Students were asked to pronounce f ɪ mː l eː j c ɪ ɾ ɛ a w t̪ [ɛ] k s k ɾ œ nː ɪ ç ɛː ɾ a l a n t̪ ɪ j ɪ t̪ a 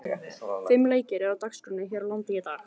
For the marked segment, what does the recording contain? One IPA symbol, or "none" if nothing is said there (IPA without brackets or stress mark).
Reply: a